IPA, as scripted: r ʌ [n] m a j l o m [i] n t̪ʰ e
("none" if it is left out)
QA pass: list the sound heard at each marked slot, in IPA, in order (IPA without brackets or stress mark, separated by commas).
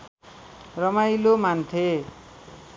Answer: none, a